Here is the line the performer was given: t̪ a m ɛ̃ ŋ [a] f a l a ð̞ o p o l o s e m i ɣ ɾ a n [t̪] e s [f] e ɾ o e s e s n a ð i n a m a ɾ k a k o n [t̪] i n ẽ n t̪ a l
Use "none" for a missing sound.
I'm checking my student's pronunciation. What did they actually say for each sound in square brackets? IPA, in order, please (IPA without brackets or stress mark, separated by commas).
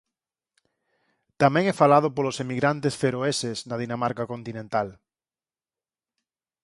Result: ɛ, t̪, f, t̪